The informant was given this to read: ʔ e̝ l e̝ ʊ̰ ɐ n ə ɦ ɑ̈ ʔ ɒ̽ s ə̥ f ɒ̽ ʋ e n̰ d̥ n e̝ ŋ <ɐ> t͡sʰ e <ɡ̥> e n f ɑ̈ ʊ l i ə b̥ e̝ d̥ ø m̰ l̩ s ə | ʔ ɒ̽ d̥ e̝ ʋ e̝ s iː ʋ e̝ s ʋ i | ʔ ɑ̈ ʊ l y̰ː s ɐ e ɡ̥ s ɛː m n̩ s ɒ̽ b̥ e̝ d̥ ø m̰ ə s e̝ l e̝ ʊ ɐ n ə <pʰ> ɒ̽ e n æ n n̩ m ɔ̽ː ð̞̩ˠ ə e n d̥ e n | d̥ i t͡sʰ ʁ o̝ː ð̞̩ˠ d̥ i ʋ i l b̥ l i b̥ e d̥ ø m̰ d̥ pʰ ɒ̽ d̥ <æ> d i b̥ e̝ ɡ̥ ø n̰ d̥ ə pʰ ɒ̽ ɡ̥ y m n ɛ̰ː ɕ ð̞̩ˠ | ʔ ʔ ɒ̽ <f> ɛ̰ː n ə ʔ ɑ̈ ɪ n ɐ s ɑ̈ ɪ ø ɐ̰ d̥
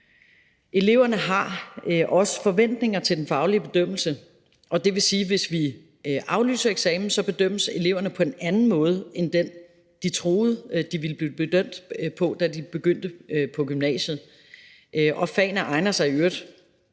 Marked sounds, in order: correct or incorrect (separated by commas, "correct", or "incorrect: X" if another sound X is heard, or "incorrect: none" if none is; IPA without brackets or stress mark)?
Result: correct, incorrect: d̥, correct, correct, correct